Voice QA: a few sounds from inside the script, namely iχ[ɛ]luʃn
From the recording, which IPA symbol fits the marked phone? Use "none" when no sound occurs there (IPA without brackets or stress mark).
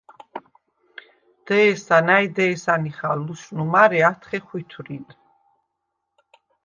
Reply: a